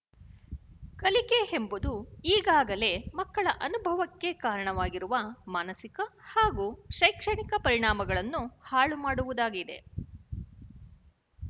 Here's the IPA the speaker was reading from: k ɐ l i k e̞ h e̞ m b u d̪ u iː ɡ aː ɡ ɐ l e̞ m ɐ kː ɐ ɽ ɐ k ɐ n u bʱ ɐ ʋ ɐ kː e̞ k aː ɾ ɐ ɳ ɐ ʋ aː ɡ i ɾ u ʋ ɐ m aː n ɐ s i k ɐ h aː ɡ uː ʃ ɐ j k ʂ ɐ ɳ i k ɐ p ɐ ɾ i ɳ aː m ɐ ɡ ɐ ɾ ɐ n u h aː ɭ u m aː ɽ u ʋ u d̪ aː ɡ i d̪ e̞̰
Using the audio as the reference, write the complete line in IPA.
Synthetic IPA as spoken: k ɐ l i k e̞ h e̞ m b u d̪ u iː ɡ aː ɡ ɐ l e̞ m ɐ kː ɐ ɭ ɐ ʔ ɐ n u bʱ ɐ ʋ ɐ kː e̞ k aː ɾ ɐ ɳ ɐ ʋ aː ɡ i ɾ u ʋ ɐ m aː n ɐ s i k ɐ h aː ɡ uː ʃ ɐ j k ʂ ɐ ɳ i k ɐ p ɐ ɾ i ɳ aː m ɐ ɡ ɐ ɭ ɐ nː u h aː ɭ u m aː ɽ u ʋ u d̪ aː ɡ i d̪ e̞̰